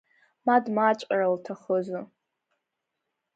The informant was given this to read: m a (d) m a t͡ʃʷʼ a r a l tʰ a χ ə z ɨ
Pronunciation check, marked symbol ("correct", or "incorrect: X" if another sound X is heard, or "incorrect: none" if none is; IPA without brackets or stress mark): correct